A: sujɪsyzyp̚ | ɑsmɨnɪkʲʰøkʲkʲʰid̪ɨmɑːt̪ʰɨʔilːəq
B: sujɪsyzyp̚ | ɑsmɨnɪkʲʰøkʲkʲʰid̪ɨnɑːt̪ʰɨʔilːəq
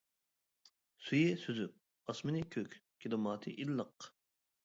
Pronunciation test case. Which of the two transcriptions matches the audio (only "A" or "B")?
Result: A